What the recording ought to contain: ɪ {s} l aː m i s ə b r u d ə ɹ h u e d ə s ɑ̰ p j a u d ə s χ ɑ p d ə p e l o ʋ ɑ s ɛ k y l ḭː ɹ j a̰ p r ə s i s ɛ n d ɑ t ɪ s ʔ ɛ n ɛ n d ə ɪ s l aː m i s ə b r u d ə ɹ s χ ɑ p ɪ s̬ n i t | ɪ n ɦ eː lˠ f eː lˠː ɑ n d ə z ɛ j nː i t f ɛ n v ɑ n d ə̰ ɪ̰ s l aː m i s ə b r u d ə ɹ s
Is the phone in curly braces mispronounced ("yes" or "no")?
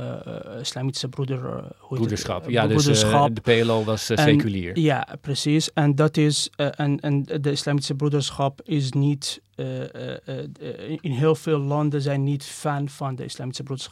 no